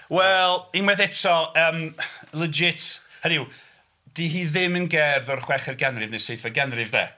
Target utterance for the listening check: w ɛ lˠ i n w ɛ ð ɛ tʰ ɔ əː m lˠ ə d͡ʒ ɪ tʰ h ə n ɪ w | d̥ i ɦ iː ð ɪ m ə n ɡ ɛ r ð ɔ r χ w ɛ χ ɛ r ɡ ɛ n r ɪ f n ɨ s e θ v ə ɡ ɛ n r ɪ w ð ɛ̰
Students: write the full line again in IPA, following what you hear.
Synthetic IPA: w ɛ lˠ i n w ɛ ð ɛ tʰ ɔ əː m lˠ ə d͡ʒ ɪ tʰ h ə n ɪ w | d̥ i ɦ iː ð ɪ m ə n ɡ ɛ r ð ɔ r χ w ɛ χ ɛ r ɡ ɛ n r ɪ v n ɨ s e θ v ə ɡ ɛ n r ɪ v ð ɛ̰